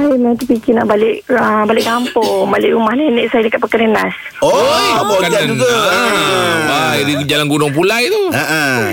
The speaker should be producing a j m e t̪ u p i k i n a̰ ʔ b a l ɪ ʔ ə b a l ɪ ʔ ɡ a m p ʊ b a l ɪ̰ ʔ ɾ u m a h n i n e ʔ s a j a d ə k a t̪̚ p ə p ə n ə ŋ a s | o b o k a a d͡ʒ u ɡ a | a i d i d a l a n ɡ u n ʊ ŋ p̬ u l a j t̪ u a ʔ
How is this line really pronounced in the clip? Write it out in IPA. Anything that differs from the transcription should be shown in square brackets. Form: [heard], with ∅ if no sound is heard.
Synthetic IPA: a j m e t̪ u p i k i n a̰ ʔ b a l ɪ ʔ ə b a l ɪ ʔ ɡ a m p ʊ b a l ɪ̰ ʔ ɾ u m a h n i n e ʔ s a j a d ə k a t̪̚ p ə [k] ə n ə [n] a s | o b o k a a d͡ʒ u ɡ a | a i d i [d͡ʒ] a l a n ɡ u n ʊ ŋ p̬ u l a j t̪ u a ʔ